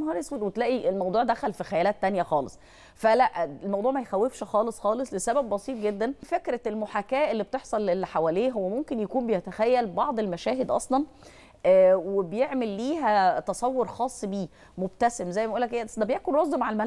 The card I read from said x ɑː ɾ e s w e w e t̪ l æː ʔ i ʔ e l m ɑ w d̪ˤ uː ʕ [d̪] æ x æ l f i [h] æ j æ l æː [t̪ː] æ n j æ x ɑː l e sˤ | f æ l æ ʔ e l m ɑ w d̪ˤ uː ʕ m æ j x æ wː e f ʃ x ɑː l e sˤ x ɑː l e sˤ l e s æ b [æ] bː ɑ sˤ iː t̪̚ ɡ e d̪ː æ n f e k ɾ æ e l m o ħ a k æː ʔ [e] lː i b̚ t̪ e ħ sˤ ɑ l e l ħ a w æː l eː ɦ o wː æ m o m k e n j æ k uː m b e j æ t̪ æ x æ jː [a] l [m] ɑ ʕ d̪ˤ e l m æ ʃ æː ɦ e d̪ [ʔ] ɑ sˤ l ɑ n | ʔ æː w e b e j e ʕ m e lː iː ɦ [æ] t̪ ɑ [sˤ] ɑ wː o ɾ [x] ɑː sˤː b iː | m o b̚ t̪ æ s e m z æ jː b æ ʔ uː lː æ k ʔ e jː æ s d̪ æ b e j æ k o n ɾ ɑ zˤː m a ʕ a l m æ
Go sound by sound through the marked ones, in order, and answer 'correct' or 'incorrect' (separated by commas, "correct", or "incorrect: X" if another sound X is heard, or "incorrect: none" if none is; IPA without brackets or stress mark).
correct, incorrect: x, correct, correct, correct, incorrect: æ, incorrect: b, correct, correct, correct, correct